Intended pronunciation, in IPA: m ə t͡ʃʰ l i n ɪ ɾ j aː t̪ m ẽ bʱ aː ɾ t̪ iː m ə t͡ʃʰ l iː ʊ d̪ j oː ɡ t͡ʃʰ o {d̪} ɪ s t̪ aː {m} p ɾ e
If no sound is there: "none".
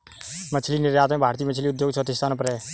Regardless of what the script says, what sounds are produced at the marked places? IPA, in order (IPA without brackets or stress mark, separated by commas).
t̪, n